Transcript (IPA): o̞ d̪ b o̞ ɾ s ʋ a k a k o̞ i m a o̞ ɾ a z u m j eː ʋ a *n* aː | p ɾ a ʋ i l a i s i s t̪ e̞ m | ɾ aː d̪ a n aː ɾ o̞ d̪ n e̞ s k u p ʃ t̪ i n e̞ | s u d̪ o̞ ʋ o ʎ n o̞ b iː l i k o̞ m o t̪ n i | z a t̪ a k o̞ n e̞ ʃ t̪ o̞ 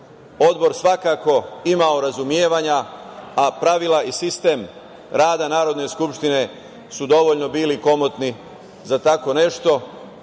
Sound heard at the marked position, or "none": ɲ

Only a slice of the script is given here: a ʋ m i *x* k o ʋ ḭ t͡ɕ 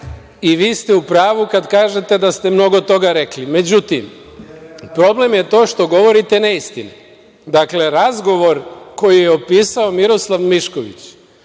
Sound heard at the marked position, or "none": ʃ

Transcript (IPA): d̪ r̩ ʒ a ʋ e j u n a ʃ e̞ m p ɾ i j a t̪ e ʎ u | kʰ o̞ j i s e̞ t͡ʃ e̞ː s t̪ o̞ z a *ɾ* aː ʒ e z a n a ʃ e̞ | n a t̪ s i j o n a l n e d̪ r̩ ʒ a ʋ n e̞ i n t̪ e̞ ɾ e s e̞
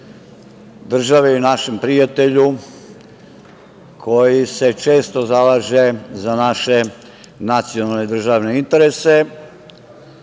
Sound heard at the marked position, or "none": l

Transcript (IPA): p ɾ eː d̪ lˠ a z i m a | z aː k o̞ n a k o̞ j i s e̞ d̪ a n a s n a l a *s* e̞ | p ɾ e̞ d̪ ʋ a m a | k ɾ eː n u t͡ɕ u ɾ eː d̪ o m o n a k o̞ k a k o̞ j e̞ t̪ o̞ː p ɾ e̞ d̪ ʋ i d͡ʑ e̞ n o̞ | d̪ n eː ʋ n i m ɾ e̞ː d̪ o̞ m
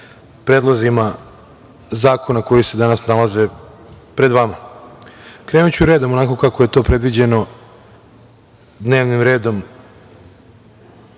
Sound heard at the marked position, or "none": z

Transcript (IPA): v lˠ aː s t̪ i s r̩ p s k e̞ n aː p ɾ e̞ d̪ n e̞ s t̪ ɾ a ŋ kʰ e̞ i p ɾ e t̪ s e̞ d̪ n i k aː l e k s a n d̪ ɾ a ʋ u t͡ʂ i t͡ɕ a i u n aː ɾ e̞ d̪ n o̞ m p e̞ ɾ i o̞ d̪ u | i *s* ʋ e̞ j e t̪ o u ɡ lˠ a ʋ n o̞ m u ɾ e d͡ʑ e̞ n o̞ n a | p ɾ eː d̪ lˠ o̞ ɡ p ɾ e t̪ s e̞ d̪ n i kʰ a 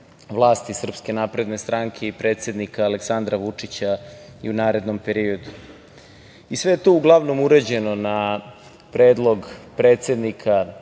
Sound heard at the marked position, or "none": s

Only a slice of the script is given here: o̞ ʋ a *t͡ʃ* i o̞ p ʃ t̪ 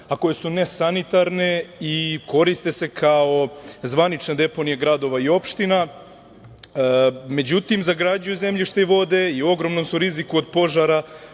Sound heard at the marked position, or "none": none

